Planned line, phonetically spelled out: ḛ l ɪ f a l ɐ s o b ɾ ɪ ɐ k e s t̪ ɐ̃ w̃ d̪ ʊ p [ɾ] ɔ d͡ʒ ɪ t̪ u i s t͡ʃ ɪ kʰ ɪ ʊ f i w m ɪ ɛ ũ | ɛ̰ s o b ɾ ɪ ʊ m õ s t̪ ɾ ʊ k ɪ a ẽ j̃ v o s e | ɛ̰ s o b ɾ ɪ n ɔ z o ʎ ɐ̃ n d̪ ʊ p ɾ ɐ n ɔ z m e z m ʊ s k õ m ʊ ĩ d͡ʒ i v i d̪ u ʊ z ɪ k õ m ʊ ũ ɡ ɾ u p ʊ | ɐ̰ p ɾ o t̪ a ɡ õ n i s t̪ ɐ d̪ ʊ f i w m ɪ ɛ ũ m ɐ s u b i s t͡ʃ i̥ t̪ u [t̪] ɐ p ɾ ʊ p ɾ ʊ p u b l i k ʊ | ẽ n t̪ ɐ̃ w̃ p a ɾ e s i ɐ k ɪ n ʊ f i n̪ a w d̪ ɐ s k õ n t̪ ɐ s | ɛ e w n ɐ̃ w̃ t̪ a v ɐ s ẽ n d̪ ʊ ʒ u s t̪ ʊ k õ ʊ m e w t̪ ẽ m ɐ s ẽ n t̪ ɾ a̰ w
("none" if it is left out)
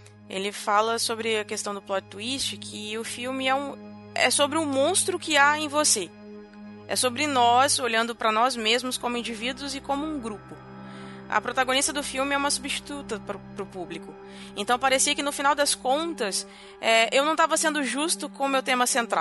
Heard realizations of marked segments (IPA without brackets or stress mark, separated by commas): l, t̪